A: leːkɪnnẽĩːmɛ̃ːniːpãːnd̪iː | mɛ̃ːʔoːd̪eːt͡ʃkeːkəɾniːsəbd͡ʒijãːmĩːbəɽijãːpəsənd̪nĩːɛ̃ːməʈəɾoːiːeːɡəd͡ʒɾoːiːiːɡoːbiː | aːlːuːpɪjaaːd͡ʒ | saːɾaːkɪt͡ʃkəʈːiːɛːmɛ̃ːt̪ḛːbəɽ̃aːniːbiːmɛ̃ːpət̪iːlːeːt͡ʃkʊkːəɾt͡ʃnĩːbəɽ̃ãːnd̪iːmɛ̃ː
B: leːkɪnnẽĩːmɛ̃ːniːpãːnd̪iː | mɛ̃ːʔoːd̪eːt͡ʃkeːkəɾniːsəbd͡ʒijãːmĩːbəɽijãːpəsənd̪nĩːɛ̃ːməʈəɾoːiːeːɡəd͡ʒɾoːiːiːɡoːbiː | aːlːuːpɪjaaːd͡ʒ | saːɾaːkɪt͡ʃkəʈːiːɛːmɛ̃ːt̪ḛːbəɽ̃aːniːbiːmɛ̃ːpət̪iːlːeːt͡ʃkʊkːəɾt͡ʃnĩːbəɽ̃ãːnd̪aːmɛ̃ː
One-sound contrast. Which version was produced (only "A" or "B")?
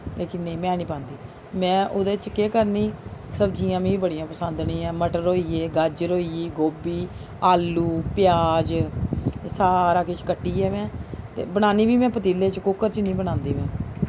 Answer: A